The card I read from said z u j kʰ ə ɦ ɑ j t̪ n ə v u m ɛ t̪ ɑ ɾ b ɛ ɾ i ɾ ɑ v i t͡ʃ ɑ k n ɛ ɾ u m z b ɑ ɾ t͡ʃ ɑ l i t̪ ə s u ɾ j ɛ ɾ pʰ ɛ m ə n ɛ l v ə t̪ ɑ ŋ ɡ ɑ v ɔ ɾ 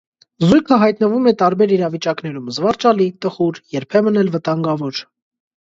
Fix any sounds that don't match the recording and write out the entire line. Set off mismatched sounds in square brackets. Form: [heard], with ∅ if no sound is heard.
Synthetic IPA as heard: z u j kʰ ə ɦ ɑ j t̪ n ə v u m ɛ t̪ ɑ ɾ b ɛ ɾ i ɾ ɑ v i t͡ʃ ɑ k n ɛ ɾ u m z [v] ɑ ɾ t͡ʃ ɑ l i t̪ ə [χ] u ɾ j ɛ ɾ pʰ ɛ m ə n ɛ l v ə t̪ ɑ ŋ ɡ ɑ v ɔ ɾ